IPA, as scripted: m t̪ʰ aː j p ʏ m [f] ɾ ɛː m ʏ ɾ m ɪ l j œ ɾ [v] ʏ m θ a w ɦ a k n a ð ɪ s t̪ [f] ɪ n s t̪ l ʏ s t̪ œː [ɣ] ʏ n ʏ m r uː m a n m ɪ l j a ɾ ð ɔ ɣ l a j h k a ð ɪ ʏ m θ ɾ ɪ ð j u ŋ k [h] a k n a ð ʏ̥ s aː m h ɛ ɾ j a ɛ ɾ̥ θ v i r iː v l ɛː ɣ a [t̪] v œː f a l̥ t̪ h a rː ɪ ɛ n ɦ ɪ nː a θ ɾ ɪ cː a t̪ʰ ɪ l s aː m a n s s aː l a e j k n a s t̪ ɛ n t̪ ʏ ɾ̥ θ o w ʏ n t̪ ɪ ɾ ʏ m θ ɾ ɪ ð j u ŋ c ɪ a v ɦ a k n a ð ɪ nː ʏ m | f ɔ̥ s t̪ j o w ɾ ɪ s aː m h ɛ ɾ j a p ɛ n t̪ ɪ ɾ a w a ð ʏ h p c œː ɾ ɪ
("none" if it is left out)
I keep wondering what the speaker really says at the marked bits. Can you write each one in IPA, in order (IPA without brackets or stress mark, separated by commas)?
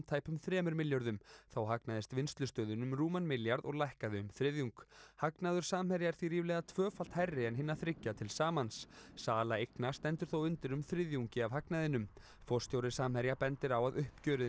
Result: θ, ð, v, ð, h, t̪ʰ